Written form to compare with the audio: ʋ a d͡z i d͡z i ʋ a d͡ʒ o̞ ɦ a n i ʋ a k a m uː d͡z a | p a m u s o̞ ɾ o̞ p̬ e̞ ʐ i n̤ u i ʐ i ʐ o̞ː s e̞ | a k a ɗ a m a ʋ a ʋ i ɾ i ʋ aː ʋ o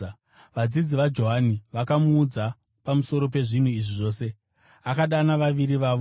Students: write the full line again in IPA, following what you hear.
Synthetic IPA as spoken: ʋ a d͡z i d͡z i ʋ a d͡ʒ o̞ ɦ a n i ʋ a k a m uː d͡z a | p a m u s o̞ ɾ o̞ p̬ e̞ ʐ i n̤ u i ʐ i ʐ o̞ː s e̞ | a k a ɗ a n a ʋ a ʋ i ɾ i ʋ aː ʋ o

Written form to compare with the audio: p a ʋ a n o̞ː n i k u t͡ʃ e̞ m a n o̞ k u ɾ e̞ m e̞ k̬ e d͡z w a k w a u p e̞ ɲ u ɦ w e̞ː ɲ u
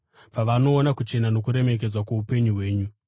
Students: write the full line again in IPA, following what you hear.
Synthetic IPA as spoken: p a ʋ a n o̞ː n a k u t͡ʃ e̞ n a n o̞ k u ɾ e̞ m e̞ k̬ e d͡z w a k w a u p e̞ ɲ u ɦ w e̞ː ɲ u

